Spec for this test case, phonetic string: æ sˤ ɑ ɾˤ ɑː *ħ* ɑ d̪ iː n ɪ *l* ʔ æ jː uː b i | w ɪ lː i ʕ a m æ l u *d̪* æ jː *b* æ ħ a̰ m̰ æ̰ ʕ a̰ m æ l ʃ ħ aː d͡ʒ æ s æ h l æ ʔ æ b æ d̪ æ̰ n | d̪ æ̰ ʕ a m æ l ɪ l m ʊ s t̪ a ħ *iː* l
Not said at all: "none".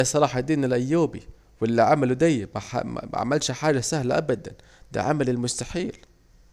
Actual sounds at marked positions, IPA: ħ, l, d̪, m, iː

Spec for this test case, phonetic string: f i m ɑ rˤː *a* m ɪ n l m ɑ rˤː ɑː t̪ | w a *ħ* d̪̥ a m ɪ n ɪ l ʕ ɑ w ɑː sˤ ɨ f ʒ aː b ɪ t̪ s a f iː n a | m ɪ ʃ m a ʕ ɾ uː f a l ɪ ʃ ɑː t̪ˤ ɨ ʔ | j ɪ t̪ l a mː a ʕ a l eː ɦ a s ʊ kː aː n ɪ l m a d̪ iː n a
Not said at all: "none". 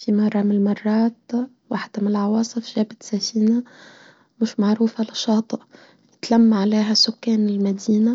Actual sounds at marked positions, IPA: ɑ, ħ

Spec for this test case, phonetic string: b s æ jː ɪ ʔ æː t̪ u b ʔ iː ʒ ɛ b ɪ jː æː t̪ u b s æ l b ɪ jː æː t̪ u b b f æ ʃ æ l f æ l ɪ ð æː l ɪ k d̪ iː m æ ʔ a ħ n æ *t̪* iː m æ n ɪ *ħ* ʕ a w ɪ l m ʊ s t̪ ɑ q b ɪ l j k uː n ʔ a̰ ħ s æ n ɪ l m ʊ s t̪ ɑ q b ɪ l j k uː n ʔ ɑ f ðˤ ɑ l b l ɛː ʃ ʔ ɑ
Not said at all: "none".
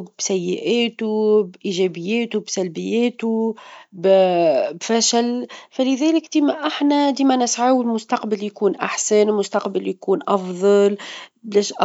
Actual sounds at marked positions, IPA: d̪, s

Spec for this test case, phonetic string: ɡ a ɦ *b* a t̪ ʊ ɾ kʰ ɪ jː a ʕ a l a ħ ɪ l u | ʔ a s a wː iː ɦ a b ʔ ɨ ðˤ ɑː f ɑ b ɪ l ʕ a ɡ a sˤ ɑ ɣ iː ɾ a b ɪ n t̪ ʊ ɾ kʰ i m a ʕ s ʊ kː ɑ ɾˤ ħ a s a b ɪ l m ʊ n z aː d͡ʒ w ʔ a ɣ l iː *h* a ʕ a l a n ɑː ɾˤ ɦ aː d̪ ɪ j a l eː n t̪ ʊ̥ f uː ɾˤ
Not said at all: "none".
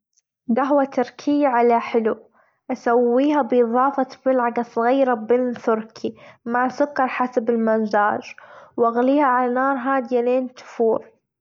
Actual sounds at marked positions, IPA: w, h

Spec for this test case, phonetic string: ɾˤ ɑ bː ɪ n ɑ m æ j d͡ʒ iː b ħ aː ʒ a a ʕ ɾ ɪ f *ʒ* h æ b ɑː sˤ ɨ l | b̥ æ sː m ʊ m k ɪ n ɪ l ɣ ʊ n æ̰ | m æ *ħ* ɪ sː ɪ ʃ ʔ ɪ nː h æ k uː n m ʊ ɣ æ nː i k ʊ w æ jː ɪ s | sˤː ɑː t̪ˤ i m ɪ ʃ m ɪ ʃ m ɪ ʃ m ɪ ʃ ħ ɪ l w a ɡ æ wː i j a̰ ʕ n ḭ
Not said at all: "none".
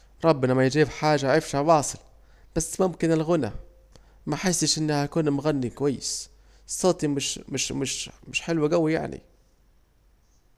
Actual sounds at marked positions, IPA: ʃ, ħ

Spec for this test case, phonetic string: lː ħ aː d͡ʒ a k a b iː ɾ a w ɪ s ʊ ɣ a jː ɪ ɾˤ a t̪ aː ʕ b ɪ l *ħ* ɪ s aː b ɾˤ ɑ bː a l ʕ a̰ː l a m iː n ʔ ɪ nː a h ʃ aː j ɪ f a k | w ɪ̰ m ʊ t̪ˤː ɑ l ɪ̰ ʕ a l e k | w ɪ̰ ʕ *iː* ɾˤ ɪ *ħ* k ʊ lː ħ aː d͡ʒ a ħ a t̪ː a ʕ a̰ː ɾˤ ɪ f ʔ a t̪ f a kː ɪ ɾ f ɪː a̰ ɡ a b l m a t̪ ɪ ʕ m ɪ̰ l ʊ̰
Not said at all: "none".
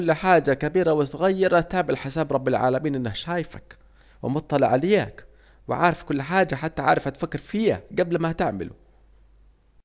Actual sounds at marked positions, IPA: ħ, aː, f

